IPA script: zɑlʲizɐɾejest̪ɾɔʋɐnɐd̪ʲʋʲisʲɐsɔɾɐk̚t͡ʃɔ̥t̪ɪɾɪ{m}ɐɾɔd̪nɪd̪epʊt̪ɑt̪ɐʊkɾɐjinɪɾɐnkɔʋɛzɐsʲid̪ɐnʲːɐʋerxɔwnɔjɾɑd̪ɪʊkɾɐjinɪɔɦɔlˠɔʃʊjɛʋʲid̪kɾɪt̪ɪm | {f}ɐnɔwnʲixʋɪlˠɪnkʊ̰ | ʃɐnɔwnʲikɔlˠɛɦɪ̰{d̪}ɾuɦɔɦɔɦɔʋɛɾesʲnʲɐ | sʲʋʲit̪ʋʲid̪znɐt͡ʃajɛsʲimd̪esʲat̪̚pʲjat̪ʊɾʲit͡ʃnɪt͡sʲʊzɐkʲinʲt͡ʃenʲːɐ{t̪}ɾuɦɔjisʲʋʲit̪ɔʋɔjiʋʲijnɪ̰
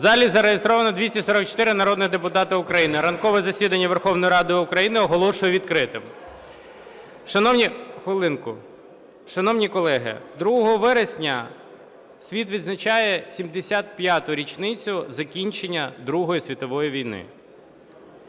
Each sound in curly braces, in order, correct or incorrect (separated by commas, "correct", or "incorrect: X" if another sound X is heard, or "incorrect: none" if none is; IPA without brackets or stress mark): incorrect: n, incorrect: ʃ, correct, incorrect: d̪